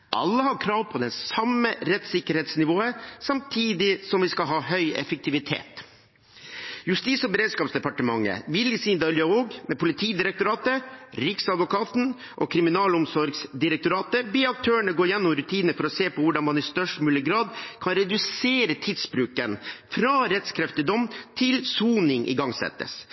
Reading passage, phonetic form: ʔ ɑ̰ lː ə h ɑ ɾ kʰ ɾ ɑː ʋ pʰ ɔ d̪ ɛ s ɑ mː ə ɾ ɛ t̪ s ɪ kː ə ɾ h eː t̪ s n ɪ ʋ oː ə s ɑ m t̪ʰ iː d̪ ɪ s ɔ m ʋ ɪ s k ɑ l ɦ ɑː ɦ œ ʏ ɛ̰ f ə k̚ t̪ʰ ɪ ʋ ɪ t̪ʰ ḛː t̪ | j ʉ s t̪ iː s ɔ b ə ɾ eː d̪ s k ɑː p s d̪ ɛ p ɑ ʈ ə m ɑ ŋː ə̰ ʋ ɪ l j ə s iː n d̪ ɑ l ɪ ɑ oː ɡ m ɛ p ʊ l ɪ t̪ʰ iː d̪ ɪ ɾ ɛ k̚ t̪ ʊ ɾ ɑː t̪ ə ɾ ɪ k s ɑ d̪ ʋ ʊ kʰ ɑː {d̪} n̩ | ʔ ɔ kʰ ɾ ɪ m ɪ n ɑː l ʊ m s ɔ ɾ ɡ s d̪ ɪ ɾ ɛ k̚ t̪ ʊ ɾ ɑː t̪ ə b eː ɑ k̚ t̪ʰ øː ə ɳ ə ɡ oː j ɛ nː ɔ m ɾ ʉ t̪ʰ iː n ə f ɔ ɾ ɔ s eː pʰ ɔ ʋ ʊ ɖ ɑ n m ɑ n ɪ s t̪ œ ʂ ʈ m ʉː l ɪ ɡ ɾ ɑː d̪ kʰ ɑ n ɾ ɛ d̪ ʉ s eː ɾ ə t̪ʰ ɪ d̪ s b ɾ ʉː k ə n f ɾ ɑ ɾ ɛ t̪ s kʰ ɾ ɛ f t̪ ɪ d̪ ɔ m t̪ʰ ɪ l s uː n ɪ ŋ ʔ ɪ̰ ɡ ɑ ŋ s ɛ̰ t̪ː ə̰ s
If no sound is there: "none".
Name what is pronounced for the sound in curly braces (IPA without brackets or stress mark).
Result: t̪